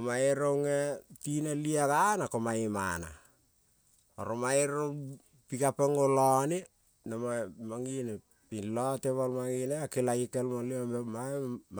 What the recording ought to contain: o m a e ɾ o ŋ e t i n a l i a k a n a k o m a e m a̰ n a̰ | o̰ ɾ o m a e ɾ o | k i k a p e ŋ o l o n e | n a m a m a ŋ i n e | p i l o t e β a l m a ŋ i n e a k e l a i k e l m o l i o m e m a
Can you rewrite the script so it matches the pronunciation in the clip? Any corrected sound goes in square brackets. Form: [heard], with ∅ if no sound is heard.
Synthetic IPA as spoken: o m a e ɾ o ŋ e t i n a l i a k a n a k o m a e m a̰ n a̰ | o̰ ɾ o m a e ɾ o | [p] i k a p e ŋ o l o n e | n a m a m a ŋ i n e | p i l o t e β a l m a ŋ i n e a k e l a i k e l m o l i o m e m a